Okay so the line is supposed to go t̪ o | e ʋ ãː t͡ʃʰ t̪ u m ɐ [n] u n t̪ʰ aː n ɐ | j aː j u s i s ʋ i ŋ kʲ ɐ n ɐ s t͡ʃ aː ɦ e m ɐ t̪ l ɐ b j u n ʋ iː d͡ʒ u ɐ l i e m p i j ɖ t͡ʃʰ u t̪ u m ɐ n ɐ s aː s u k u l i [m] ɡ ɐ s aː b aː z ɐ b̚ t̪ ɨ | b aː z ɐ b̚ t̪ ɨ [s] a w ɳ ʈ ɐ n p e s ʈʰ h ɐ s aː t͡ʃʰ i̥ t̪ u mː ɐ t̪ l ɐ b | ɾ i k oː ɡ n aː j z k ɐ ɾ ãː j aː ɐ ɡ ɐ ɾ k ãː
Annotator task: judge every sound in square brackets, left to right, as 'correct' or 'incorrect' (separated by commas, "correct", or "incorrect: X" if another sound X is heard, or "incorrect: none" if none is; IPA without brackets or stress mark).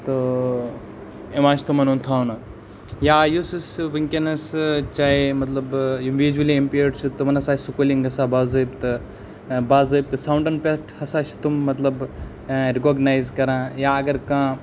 correct, incorrect: ŋ, correct